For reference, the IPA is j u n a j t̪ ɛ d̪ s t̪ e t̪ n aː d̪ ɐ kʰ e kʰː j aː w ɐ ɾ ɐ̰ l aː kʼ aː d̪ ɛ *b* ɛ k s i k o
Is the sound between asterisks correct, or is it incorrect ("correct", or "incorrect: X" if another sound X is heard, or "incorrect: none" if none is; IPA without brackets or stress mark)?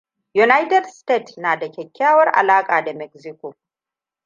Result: incorrect: m